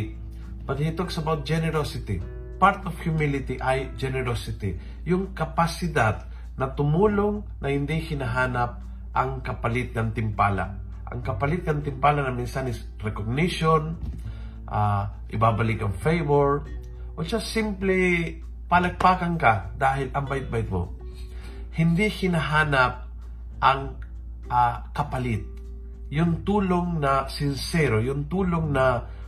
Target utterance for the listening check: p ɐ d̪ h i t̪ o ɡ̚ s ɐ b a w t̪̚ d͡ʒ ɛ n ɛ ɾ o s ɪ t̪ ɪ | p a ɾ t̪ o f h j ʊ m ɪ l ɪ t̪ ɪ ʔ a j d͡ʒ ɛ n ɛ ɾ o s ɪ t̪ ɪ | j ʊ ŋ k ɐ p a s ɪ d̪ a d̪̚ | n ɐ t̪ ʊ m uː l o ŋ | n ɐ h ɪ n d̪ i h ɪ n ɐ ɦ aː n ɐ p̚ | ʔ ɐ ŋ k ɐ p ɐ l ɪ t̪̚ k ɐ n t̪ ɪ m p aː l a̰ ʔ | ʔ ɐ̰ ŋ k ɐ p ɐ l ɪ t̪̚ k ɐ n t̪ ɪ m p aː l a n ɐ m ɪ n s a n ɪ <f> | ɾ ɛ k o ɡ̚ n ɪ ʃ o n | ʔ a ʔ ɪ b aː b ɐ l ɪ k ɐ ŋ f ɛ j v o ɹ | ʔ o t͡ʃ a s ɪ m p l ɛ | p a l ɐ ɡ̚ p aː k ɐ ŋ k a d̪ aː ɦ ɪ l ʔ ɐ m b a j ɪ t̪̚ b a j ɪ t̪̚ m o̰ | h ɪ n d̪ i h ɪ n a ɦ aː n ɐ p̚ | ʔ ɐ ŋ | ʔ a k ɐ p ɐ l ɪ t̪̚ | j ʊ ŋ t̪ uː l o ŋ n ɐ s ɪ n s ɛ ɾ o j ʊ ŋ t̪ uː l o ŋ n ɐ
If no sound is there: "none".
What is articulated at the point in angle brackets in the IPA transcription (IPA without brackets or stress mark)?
s